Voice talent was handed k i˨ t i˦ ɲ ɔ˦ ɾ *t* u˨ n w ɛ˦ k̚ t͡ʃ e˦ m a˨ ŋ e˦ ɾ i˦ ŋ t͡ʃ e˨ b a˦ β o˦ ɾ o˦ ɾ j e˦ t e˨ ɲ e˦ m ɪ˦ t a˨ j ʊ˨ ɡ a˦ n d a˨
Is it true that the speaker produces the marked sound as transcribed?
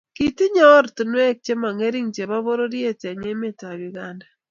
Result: yes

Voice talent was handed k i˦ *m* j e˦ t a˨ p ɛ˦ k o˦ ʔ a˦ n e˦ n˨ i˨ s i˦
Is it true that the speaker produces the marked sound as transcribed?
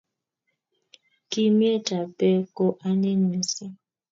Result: yes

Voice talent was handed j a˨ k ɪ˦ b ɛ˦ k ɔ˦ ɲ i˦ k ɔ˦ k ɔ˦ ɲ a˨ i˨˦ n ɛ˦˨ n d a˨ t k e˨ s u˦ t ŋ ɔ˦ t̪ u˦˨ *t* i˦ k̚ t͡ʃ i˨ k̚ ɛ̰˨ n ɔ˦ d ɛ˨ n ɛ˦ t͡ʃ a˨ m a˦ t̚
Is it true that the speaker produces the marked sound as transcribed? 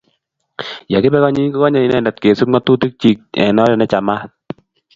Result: yes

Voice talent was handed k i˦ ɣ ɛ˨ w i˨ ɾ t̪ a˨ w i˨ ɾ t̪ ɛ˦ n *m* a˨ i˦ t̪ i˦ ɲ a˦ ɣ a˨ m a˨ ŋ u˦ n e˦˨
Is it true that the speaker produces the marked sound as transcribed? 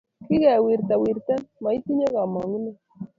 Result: yes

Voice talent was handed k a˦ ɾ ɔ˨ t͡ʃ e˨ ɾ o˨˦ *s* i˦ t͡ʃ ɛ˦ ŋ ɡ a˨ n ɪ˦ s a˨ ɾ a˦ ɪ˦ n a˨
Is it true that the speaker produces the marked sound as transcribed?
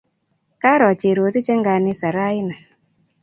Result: no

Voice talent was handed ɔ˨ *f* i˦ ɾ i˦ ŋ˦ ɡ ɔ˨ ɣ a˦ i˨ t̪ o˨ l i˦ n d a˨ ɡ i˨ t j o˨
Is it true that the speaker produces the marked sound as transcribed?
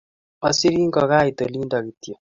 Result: no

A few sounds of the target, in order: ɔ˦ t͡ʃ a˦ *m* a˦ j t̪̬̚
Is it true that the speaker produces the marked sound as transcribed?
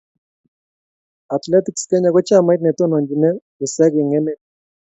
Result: yes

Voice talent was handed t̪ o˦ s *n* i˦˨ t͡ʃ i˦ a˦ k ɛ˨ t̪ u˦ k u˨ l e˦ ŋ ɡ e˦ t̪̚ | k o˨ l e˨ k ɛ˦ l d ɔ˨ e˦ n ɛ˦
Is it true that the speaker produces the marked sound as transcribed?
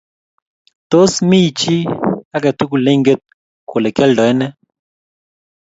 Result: no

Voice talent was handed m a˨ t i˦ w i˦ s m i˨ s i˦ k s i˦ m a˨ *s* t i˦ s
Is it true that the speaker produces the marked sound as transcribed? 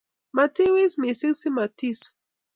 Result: no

